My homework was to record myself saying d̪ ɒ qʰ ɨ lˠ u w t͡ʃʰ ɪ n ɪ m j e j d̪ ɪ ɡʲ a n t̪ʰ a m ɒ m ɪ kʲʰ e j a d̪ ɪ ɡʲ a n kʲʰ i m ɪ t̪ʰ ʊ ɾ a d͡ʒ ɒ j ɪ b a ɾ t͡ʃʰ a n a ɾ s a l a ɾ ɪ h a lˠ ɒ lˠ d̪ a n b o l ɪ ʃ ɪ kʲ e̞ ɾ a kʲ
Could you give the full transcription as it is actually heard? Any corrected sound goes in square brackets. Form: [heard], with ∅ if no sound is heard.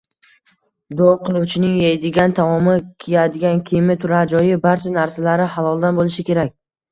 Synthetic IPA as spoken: d̪ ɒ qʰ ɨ lˠ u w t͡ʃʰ ɪ n ɪ [ŋ] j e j d̪ ɪ ɡʲ a n t̪ʰ a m ɒ m ɪ kʲʰ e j a d̪ ɪ ɡʲ a n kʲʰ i m ɪ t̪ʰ ʊ ɾ a d͡ʒ ɒ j ɪ b a ɾ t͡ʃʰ a n a ɾ s a l a ɾ ɪ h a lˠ ɒ lˠ d̪ a n b o l ɪ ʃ ɪ kʲ e̞ ɾ a kʲ

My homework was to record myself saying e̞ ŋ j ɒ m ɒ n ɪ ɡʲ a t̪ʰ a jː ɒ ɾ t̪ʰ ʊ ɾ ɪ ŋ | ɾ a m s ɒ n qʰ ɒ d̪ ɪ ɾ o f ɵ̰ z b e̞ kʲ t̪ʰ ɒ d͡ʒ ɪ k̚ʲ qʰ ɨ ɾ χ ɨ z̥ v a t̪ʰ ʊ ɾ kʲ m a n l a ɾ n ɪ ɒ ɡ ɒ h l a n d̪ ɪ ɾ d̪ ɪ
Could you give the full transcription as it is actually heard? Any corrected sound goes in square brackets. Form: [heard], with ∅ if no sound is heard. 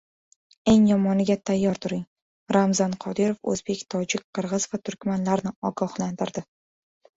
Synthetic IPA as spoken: e̞ ŋ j ɒ m ɒ n ɪ ɡʲ a t̪ʰ a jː ɒ ɾ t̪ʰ ʊ ɾ ɪ ŋ | ɾ a m [z] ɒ n qʰ ɒ d̪ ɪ ɾ o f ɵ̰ z b e̞ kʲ t̪ʰ ɒ d͡ʒ ɪ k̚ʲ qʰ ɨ ɾ [ʁ] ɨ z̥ v a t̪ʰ ʊ ɾ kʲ m a n l a ɾ n ɪ ɒ ɡ ɒ h l a n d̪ ɪ ɾ d̪ ɪ

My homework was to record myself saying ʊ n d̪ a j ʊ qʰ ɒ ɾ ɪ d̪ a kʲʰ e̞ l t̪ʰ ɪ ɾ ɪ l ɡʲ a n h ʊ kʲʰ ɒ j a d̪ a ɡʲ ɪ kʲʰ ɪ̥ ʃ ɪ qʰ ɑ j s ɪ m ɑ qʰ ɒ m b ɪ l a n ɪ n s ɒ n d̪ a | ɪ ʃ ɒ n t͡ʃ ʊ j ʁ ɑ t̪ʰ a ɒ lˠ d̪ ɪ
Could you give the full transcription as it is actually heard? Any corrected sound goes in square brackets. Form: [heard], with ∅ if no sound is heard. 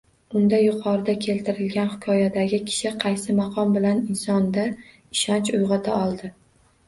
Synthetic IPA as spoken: ʊ n d̪ a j ʊ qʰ ɒ ɾ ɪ d̪ a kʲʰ e̞ l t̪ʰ ɪ ɾ ɪ l ɡʲ a n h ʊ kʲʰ ɒ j a d̪ a ɡʲ ɪ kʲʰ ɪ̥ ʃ ɪ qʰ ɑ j s ɪ m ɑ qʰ ɒ m b ɪ l a n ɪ n s ɒ n d̪ a | ɪ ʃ ɒ n t͡ʃ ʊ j ʁ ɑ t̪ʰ a ɒ lˠ d̪ ɪ

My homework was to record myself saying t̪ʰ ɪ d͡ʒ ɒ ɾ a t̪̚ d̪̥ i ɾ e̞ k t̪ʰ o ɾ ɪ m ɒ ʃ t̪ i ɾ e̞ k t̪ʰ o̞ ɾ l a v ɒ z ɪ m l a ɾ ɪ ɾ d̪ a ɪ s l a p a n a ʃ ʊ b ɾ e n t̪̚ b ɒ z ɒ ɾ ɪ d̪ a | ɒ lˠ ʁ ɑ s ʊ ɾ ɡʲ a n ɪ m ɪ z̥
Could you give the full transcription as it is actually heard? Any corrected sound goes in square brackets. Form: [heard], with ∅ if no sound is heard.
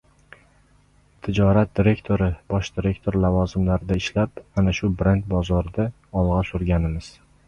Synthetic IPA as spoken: t̪ʰ ɪ d͡ʒ ɒ ɾ a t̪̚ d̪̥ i ɾ e̞ k t̪ʰ o ɾ ɪ [b] ɒ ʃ [d̪] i ɾ e̞ k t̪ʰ o̞ ɾ l a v ɒ z ɪ m l a ɾ ɪ [∅] d̪ a ɪ [ʃ] l a p a n a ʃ ʊ b ɾ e n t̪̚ b ɒ z ɒ ɾ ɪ d̪ a | ɒ lˠ ʁ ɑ s ʊ ɾ ɡʲ a n ɪ m ɪ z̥

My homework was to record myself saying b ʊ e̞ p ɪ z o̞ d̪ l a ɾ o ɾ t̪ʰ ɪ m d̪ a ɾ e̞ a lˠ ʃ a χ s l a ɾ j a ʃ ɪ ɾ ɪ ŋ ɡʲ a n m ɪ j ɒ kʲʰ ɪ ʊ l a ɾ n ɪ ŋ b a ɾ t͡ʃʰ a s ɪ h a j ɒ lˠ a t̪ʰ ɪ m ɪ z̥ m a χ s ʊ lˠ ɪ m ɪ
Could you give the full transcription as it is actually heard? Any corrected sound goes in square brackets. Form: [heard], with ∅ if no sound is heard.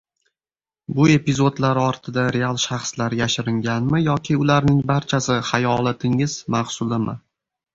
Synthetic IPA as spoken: b ʊ e̞ p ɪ z o̞ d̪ l a ɾ [ɒ] ɾ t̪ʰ ɪ [∅] d̪ a ɾ e̞ a lˠ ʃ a χ s l a ɾ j a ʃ ɪ ɾ ɪ ŋ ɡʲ a n m ɪ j ɒ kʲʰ ɪ ʊ l a ɾ n ɪ ŋ b a ɾ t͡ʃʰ a s ɪ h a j ɒ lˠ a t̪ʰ ɪ [ŋ] ɪ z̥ m a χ s ʊ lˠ ɪ m ɪ

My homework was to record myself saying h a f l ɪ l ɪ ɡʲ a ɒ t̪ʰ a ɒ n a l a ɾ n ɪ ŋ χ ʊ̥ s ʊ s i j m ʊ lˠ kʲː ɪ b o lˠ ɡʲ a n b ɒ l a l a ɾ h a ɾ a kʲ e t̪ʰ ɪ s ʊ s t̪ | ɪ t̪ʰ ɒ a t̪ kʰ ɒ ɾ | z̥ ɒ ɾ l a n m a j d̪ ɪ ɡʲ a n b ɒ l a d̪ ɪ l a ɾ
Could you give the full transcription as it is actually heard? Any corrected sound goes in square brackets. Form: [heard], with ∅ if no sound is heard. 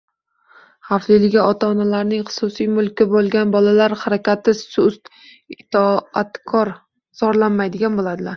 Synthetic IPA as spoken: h a f l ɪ l ɪ ɡʲ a ɒ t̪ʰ a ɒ n a l a ɾ n ɪ ŋ χ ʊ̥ s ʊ s i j m ʊ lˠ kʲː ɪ b o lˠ ɡʲ a n b ɒ l a l a ɾ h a ɾ a kʲ [a] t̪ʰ ɪ s ʊ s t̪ | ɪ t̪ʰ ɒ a t̪ kʰ ɒ ɾ | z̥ ɒ ɾ l a n m a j d̪ ɪ ɡʲ a n b [o] l a d̪ ɪ l a ɾ

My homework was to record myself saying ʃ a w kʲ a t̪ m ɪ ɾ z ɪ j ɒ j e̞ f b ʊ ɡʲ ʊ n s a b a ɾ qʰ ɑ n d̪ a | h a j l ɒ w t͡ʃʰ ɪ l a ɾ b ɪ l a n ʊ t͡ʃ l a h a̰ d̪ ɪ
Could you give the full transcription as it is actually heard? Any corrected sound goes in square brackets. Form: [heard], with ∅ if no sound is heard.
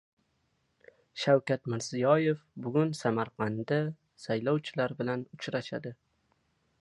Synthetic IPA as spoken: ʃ a w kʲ a t̪ m ɪ ɾ z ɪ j ɒ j e̞ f b ʊ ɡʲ ʊ n s a [m] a ɾ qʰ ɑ n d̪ a | [s] a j l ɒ w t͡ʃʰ ɪ l a ɾ b ɪ l a n ʊ t͡ʃ [ɾ] a [ʃ] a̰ d̪ ɪ

